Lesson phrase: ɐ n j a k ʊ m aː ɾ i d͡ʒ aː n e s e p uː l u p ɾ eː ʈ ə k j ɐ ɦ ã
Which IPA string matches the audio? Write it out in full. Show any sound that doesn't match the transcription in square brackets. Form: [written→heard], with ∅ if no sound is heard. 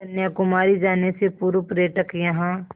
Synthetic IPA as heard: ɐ n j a k ʊ m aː ɾ i d͡ʒ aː n e s e p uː [l→ɾ] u p ɾ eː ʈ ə k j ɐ ɦ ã